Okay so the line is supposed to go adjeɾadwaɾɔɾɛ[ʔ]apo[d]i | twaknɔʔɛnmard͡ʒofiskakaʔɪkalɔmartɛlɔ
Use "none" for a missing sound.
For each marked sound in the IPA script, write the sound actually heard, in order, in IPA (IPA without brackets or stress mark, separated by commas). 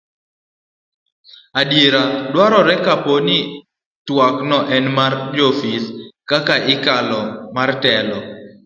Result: k, n